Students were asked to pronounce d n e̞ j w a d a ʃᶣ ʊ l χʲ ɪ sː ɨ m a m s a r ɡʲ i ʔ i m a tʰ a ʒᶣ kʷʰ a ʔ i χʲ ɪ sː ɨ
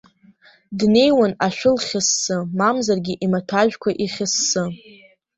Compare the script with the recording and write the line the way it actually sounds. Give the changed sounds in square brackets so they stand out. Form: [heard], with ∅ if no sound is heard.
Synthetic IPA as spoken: d n e̞ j w a [n] a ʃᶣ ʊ l χʲ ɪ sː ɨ m a m [z] a r ɡʲ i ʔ i m a tʰ a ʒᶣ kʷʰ a ʔ i χʲ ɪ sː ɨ